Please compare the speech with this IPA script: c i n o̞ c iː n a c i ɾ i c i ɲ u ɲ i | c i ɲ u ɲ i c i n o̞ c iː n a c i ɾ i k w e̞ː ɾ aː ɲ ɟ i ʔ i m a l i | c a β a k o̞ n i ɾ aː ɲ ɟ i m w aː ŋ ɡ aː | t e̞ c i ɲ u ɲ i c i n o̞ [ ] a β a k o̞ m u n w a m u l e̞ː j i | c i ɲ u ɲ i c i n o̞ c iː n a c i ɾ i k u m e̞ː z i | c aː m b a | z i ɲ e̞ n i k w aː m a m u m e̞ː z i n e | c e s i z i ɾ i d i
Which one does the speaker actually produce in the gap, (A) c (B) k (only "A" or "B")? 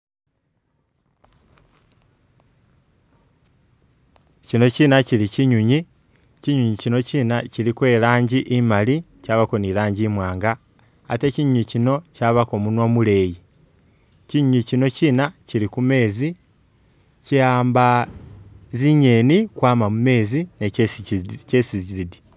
A